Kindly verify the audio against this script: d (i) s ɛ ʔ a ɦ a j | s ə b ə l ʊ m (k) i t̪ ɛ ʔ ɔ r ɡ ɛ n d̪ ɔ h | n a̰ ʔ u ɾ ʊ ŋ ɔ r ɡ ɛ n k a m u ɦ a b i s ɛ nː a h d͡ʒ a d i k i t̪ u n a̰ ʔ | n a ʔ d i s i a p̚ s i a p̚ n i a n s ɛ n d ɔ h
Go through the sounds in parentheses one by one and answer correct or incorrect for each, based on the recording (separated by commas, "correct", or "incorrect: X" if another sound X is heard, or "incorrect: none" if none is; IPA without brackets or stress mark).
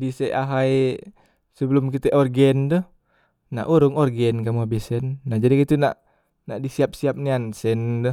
correct, correct